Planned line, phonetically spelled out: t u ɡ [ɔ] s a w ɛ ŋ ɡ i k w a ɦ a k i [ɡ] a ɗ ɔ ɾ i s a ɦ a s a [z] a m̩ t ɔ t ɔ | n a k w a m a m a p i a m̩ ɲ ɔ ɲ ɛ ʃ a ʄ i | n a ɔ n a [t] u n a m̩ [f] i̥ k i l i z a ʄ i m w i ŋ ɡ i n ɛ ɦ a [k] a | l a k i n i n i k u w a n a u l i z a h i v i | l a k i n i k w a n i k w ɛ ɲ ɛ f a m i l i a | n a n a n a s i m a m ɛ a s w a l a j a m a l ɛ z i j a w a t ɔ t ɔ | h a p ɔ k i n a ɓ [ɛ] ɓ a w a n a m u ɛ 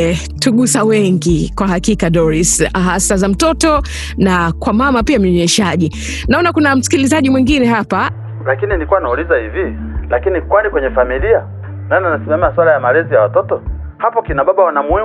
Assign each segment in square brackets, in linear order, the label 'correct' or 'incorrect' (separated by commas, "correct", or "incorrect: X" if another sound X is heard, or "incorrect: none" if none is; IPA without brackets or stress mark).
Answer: incorrect: u, incorrect: k, correct, incorrect: k, incorrect: s, incorrect: p, incorrect: a